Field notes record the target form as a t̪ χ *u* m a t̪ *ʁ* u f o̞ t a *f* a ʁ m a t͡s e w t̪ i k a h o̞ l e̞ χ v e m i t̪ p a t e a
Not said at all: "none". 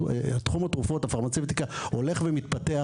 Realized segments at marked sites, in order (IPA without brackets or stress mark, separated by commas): u, ʁ, f